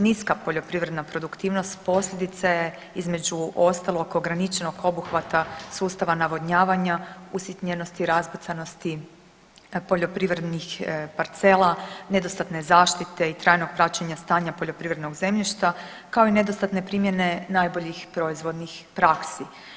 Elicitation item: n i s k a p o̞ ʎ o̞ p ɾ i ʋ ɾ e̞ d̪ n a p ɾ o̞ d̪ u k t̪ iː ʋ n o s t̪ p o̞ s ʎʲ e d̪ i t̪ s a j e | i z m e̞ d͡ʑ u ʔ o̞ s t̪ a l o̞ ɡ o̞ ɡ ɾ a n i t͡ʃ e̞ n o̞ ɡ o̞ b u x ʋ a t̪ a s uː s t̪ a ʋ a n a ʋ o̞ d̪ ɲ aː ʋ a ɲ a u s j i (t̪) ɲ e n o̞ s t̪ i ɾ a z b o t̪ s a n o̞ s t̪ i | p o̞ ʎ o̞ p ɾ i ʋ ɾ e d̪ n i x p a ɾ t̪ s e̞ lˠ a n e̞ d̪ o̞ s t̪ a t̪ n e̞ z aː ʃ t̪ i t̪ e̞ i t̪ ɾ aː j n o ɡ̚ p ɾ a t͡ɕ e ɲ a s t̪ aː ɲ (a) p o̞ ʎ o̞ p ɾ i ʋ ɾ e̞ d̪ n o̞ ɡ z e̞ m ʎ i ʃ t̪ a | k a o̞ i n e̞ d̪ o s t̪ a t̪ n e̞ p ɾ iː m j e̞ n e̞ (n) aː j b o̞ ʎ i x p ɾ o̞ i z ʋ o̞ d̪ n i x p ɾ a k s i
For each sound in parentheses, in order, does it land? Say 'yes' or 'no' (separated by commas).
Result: yes, yes, yes